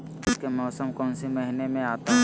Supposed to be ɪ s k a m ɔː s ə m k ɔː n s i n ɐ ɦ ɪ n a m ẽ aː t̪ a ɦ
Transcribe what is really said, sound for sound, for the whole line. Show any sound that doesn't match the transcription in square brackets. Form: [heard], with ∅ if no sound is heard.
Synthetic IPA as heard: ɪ s k [e] m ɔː s ə m k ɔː n s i [m] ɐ ɦ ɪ n [e] m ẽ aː t̪ a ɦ